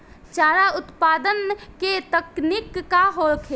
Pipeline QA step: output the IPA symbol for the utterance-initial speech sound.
t͡ʃ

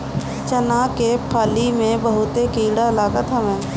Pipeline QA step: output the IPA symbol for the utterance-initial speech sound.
t͡ʃ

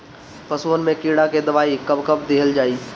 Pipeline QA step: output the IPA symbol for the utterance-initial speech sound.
p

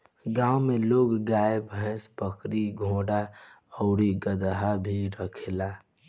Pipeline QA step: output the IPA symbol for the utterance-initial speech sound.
ɡ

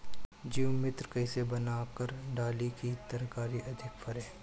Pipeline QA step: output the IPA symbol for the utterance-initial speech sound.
d͡ʒ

